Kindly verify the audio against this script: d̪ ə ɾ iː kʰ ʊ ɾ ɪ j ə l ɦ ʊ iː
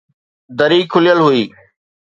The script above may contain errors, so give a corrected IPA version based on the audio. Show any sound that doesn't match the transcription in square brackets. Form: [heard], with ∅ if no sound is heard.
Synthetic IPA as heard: d̪ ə ɾ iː kʰ ʊ [l] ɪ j ə l ɦ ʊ iː